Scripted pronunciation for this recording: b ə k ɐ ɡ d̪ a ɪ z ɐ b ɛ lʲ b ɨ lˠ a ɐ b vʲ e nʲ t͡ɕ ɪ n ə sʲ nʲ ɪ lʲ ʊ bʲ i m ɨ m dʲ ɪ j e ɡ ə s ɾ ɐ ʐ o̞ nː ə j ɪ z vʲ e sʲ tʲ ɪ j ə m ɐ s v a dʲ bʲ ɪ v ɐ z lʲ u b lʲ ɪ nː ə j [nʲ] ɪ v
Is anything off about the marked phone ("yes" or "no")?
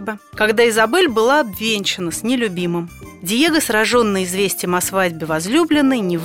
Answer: no